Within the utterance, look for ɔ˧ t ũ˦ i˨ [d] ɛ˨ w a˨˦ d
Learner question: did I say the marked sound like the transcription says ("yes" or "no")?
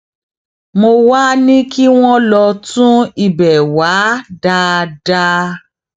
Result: no